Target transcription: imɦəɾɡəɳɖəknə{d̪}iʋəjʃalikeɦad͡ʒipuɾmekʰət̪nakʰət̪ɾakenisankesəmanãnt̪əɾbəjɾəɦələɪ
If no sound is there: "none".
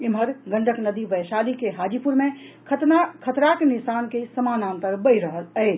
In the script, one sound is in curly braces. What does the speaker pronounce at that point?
d̪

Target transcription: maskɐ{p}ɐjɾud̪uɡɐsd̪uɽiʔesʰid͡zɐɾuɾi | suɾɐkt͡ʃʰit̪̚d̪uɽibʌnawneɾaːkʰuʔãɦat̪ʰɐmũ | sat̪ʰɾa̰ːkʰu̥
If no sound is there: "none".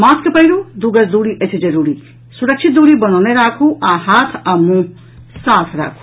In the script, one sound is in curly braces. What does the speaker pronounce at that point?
p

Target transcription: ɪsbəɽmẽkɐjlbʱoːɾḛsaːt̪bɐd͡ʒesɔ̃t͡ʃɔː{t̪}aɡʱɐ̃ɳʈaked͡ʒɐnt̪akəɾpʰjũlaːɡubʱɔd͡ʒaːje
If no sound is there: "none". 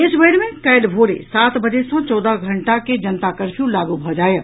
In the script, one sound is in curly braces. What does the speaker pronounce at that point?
d̪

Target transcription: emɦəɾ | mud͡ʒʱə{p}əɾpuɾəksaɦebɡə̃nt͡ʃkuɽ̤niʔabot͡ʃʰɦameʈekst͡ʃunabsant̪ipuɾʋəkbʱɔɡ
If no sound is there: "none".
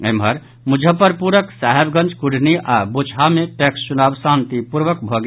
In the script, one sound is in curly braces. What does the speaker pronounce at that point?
p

